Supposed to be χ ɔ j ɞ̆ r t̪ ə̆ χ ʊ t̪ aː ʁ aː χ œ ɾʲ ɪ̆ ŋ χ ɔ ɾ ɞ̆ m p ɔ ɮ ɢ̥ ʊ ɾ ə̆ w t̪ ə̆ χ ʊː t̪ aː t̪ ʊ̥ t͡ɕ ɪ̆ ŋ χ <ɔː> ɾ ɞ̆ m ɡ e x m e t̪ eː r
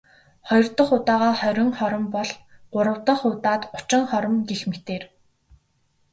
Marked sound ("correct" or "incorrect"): incorrect